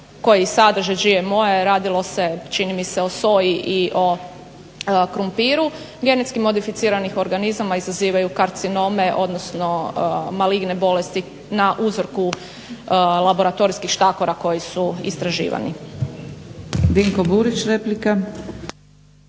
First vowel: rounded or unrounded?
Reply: rounded